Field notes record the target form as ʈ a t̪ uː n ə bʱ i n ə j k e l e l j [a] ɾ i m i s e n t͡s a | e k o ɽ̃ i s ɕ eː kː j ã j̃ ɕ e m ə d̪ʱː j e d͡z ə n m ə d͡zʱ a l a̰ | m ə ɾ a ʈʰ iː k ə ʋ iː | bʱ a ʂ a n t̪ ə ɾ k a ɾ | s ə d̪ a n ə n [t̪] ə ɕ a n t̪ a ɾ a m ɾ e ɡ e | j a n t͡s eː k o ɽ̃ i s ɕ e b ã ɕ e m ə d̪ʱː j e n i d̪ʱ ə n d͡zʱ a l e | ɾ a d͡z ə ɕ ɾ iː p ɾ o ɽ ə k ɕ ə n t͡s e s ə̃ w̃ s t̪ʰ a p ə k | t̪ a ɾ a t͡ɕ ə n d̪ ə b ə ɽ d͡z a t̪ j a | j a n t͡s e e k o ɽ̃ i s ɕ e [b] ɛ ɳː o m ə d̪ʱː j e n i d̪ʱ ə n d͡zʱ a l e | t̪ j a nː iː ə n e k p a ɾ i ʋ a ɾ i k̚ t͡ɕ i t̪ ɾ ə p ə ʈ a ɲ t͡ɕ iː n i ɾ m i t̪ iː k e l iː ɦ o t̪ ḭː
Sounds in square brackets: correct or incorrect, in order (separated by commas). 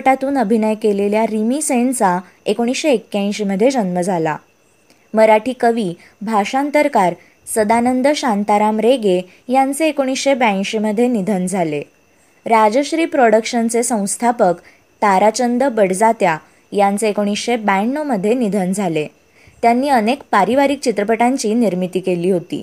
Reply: correct, incorrect, correct